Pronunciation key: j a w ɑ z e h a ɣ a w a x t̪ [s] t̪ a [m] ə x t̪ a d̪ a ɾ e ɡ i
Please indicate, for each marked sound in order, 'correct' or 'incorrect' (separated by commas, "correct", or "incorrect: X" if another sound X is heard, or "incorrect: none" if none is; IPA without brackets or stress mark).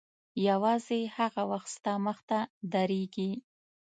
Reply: correct, correct